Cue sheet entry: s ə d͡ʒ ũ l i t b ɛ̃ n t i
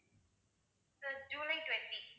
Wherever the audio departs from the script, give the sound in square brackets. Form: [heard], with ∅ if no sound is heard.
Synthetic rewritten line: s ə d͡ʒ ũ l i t [w] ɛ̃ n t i

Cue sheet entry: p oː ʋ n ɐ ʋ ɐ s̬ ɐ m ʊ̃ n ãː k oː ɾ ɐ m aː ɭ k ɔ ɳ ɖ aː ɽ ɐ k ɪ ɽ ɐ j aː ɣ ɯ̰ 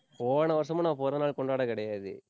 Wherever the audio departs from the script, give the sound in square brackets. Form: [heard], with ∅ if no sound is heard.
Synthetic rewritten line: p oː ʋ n ɐ ʋ ɐ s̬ ɐ m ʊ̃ n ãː [p] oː ɾ ɐ [n] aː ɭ k ɔ ɳ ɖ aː ɽ ɐ k ɪ ɽ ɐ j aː [ð] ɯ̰

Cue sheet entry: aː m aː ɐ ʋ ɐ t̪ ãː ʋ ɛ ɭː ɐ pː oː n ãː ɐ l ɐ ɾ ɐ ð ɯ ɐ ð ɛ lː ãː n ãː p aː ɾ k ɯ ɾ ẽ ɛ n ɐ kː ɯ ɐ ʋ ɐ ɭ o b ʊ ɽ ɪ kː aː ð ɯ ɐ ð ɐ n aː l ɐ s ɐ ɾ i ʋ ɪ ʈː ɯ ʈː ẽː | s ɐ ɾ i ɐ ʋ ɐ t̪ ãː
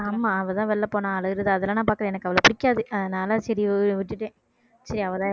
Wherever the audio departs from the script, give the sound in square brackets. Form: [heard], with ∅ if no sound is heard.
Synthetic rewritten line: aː m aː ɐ ʋ ɐ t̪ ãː ʋ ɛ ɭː ɐ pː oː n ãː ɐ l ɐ ɾ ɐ ð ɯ ɐ ð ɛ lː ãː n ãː p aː ɾ k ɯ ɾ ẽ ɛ n ɐ kː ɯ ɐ ʋ ɐ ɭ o [p] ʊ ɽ ɪ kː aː ð ɯ ɐ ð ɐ n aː l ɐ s ɐ ɾ i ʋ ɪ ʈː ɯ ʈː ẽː | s ɐ ɾ i ɐ ʋ ɐ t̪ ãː

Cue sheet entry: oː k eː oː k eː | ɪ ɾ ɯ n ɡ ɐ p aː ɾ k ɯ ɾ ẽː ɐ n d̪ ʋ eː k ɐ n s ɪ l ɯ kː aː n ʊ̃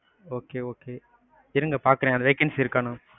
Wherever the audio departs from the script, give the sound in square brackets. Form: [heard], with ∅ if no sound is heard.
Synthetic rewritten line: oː k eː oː k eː | ɪ ɾ ɯ [ŋ] ɡ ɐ p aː ɾ k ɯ ɾ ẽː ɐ n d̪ ʋ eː k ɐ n s ɪ [ɾ] ɯ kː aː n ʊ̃

